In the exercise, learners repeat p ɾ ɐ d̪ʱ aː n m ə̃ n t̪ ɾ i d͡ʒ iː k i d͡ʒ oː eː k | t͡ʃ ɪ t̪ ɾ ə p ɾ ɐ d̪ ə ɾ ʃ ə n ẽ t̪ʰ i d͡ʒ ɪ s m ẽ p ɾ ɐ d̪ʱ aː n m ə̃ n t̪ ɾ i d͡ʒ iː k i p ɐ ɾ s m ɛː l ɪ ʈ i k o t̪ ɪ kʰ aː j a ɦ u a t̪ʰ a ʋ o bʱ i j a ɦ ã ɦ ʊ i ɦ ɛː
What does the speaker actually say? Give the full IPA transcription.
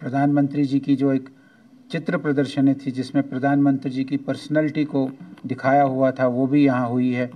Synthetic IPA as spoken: p ɾ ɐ d̪ʱ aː n m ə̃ n t̪ ɾ i d͡ʒ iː k i d͡ʒ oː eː k | t͡ʃ ɪ t̪ ɾ ə p ɾ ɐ d̪ ə ɾ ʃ ə n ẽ t̪ʰ i d͡ʒ ɪ s m ẽ p ɾ ɐ d̪ʱ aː n m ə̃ n t̪ ɾ i d͡ʒ iː k i p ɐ ɾ s n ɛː l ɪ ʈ i k o d̪ ɪ kʰ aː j a ɦ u a t̪ʰ a ʋ o bʱ i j ɐ ɦ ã ɦ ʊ i ɦ ɛː